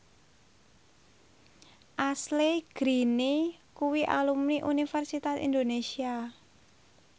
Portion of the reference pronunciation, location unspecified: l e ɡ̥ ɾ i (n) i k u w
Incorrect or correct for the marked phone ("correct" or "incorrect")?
correct